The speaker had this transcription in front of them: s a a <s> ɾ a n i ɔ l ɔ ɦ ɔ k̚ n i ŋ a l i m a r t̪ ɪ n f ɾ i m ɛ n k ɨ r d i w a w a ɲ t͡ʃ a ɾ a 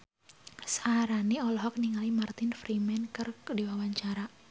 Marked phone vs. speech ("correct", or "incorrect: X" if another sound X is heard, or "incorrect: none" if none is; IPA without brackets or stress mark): incorrect: none